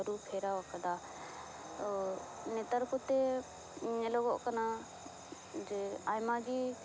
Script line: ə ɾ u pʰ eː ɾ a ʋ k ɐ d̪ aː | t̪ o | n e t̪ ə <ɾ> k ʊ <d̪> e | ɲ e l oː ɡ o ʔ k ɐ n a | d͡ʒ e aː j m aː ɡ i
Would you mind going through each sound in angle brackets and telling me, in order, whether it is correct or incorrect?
correct, incorrect: t̪

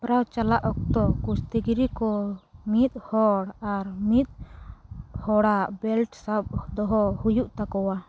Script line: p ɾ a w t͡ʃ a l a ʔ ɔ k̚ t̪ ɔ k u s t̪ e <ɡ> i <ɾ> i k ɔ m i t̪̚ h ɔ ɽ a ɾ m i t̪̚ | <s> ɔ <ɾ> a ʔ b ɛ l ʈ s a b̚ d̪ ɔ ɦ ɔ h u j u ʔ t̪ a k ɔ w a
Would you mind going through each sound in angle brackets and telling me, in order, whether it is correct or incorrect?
correct, correct, incorrect: h, incorrect: ɽ

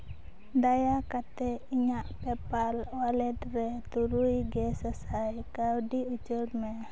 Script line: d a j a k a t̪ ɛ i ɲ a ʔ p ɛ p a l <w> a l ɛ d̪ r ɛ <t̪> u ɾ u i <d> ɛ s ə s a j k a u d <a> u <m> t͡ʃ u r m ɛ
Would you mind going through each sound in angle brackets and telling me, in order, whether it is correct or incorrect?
correct, correct, incorrect: ɡ, incorrect: i, incorrect: none

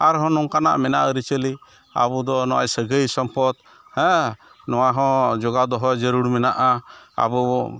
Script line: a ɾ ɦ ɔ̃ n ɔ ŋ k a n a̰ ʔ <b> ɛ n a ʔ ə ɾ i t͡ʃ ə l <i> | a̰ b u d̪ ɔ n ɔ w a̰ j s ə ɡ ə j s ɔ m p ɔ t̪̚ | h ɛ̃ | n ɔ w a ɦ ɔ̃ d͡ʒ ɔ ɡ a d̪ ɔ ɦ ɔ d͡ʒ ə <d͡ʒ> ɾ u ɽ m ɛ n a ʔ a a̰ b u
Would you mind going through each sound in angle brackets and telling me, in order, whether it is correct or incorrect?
incorrect: m, correct, incorrect: none

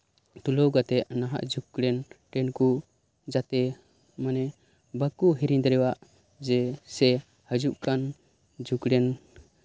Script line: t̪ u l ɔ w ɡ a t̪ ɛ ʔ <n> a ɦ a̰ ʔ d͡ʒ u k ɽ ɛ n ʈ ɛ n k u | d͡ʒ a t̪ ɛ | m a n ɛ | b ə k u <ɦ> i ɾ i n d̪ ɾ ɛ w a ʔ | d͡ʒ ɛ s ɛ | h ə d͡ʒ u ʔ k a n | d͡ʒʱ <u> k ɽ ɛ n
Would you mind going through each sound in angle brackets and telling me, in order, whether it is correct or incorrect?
correct, correct, correct

